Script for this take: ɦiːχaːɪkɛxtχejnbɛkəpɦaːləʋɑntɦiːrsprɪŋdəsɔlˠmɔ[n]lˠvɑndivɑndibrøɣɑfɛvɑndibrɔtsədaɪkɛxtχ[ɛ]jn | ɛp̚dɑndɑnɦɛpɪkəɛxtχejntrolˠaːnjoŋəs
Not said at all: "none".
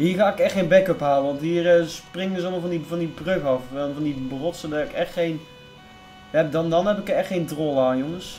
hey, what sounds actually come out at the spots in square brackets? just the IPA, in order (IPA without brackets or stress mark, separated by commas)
none, e